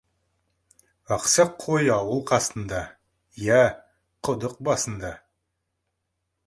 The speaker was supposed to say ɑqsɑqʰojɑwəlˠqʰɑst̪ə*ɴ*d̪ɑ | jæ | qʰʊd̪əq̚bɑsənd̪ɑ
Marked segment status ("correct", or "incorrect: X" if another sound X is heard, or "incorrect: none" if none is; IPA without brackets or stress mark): incorrect: n